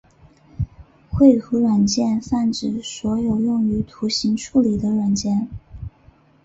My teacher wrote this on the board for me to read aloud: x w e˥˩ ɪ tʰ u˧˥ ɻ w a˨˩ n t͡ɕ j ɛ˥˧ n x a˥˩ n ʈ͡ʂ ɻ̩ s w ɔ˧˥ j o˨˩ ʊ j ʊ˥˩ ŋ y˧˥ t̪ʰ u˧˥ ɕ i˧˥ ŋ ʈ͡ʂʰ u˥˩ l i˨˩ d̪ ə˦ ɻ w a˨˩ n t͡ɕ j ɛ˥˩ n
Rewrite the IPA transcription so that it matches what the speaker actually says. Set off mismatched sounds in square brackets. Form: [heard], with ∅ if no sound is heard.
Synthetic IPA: x w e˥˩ ɪ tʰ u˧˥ ɻ w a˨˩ n t͡ɕ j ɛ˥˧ n [f] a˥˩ n ʈ͡ʂ ɻ̩ s w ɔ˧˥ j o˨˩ ʊ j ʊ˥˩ ŋ y˧˥ t̪ʰ u˧˥ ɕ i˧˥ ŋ ʈ͡ʂʰ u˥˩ l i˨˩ d̪ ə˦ ɻ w a˨˩ n t͡ɕ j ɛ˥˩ n